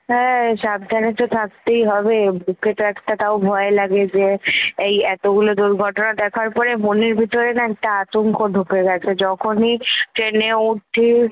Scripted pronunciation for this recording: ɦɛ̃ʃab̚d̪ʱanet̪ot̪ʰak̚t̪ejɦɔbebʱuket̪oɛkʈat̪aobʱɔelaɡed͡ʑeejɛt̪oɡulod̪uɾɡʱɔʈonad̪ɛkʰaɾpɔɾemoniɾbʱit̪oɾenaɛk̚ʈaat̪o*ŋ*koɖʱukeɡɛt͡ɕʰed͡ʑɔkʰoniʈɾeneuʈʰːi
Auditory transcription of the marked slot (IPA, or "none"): ŋ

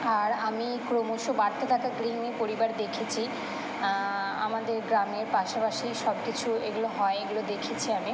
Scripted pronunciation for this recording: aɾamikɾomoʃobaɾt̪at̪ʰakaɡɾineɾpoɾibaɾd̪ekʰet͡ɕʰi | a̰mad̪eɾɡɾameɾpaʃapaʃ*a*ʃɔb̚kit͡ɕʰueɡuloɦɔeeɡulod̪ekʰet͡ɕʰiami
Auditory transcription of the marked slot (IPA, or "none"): i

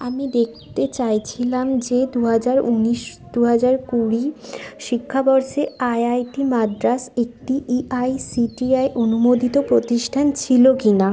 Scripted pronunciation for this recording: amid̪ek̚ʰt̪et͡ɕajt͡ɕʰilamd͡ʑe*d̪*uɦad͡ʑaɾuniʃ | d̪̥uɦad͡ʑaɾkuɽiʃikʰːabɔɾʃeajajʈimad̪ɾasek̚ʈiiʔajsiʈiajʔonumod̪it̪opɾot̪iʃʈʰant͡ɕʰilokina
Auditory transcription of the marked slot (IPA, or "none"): d̪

